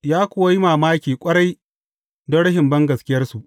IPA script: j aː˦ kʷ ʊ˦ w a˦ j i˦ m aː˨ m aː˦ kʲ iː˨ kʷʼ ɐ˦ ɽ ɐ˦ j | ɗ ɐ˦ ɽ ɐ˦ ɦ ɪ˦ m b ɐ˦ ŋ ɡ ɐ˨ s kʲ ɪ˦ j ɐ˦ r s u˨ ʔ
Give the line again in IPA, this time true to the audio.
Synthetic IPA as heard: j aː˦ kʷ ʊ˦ w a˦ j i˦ m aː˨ m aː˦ kʲ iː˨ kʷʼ ɐ˦ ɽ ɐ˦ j | d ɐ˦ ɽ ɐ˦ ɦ ɪ˨ m b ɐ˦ ŋ ɡ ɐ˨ s kʲ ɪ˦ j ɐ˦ r s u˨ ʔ